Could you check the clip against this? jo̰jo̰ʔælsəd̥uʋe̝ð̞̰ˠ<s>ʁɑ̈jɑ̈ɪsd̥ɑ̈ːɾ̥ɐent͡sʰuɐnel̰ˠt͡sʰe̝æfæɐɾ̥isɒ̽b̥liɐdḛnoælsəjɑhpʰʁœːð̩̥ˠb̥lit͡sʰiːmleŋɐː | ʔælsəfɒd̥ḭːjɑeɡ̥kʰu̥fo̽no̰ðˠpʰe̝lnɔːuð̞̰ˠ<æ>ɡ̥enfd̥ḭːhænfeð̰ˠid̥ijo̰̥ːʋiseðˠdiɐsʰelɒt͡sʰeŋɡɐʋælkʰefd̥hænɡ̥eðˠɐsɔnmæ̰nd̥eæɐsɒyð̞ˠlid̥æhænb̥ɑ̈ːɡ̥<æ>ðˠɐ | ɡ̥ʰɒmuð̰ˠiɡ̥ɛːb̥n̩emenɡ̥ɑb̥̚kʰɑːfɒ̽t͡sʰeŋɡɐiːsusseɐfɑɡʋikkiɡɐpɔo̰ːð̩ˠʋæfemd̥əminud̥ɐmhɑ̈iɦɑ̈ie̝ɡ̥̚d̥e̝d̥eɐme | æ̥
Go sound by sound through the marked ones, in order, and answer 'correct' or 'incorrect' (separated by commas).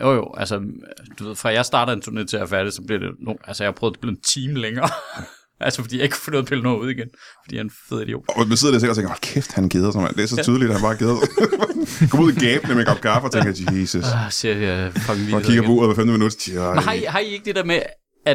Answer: incorrect, incorrect, incorrect